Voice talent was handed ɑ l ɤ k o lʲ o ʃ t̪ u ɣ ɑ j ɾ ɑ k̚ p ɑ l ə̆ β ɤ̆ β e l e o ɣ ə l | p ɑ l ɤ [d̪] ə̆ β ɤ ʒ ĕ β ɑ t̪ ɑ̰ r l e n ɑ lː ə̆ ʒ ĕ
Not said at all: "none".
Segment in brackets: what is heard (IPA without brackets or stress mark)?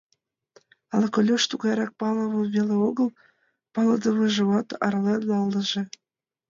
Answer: d̪